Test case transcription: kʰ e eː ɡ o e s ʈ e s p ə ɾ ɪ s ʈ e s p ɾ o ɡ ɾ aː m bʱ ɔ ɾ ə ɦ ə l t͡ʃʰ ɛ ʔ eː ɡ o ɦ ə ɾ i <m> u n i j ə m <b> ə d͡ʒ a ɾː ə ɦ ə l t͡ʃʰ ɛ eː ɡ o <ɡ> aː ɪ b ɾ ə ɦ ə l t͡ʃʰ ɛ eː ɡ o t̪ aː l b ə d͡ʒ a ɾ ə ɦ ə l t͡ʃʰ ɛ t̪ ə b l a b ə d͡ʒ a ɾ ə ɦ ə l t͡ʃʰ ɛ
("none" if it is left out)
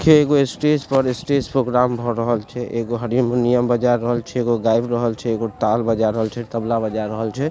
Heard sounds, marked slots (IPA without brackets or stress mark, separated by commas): m, b, ɡ